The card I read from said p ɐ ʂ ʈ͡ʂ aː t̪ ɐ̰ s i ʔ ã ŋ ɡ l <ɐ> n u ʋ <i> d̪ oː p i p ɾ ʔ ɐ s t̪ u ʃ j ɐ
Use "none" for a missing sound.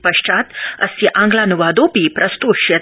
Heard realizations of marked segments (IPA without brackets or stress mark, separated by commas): a, a